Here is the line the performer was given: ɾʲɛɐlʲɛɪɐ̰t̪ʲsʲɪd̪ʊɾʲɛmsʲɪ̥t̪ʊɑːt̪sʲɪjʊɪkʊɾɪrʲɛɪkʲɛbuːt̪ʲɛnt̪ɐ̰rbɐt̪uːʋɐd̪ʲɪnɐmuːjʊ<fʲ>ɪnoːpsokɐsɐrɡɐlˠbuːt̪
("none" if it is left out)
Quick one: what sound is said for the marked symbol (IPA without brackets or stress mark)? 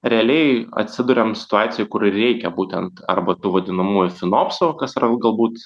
fʲ